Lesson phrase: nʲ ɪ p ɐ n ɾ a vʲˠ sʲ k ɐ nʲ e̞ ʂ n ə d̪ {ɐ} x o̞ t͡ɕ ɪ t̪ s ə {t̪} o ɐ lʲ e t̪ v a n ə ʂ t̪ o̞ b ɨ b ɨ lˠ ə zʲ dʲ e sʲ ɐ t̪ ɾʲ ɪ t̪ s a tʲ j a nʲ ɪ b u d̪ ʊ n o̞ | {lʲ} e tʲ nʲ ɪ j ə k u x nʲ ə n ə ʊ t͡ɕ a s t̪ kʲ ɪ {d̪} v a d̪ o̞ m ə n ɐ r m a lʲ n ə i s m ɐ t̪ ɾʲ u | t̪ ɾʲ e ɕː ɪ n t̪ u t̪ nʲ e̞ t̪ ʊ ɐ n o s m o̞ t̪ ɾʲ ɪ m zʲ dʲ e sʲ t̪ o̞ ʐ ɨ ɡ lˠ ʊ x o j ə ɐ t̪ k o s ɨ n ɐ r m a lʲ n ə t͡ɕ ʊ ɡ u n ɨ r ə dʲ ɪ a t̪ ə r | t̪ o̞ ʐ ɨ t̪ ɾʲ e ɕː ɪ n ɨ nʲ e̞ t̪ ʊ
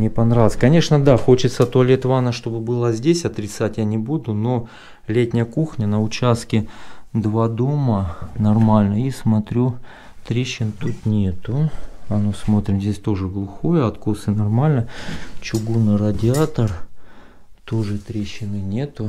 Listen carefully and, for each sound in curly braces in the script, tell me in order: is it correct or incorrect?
incorrect: a, correct, correct, correct

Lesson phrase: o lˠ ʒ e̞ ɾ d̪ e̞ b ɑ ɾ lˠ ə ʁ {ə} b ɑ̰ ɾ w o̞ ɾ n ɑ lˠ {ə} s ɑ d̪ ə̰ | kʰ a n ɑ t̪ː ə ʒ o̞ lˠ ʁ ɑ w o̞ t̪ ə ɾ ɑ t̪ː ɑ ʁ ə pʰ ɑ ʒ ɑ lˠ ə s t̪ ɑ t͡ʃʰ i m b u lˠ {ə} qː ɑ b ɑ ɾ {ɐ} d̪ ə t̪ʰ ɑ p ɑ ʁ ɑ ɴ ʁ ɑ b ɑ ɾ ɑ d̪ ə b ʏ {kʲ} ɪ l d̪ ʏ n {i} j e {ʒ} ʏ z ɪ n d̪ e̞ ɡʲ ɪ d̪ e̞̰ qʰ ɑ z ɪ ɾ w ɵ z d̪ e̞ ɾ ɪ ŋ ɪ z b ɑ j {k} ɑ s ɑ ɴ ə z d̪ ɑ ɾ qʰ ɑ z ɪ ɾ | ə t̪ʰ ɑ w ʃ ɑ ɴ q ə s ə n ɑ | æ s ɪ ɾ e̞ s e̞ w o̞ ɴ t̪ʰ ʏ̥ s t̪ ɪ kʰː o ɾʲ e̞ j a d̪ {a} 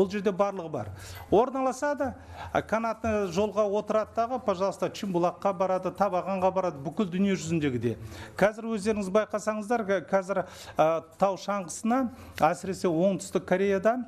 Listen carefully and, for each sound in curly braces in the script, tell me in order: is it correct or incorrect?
correct, incorrect: ɑ, incorrect: ɑ, incorrect: ɑ, correct, correct, correct, incorrect: q, incorrect: ɑ

